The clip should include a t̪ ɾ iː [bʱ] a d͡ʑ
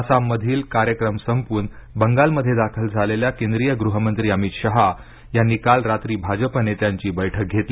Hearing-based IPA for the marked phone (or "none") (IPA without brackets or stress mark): bʱ